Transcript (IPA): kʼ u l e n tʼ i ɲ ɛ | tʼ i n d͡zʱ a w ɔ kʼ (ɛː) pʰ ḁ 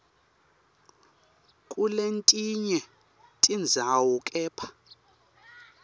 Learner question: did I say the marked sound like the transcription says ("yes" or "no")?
yes